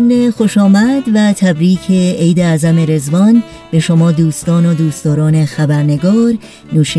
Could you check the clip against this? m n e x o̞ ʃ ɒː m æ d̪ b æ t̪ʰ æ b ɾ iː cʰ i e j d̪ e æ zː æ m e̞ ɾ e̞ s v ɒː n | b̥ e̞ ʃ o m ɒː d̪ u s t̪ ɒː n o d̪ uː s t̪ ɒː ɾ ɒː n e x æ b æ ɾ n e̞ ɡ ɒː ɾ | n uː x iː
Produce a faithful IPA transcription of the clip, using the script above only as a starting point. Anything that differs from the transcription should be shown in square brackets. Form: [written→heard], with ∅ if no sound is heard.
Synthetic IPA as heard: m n e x o̞ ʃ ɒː m æ d̪ [b→v] æ t̪ʰ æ b ɾ iː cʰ [i→e] e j d̪ e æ [zː→z] æ m e̞ ɾ e̞ [s→z] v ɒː n | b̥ e̞ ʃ o m ɒː d̪ [u→uː] s t̪ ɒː n o d̪ uː s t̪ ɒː ɾ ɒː n e x æ b æ ɾ n e̞ ɡ ɒː ɾ | n uː [x→ʃ] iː